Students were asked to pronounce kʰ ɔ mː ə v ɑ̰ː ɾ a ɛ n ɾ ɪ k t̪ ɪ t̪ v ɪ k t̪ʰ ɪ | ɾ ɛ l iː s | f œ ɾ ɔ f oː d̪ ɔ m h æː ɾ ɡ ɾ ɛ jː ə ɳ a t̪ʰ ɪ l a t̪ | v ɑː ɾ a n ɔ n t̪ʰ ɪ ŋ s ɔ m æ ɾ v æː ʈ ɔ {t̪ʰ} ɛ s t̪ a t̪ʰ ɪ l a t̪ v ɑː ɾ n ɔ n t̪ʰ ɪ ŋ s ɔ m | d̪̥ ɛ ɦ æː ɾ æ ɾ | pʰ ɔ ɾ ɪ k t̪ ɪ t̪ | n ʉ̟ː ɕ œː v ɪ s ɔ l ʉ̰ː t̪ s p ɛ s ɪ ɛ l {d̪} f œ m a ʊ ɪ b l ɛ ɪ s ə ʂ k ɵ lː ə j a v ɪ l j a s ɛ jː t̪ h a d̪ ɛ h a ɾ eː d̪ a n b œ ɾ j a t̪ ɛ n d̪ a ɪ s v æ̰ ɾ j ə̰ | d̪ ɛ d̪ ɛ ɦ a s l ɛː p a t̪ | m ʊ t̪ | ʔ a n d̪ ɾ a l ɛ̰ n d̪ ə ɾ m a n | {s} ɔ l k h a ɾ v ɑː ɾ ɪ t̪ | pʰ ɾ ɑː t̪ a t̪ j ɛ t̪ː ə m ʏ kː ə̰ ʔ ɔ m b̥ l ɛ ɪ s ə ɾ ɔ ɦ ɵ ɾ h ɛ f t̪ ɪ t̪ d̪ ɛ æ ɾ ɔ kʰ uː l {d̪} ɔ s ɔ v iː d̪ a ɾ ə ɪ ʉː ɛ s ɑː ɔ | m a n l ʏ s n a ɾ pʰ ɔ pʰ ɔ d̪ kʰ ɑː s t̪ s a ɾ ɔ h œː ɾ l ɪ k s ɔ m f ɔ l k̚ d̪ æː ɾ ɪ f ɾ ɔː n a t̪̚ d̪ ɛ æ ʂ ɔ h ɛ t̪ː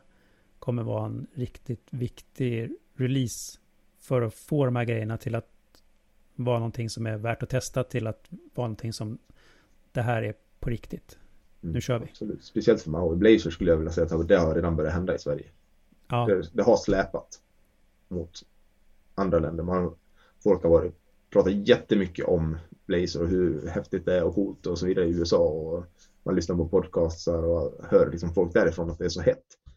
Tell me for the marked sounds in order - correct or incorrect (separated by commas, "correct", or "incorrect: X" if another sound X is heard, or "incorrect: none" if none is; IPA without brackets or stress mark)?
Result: correct, incorrect: t̪, incorrect: f, incorrect: t̪